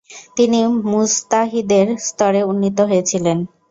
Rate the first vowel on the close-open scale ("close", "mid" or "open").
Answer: close